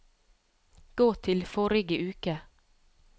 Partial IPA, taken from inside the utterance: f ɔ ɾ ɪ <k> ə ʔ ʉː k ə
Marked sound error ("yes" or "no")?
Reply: yes